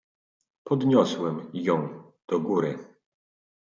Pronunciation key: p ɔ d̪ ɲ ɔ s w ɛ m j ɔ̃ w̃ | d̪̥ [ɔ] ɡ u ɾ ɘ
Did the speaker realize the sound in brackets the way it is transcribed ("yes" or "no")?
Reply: yes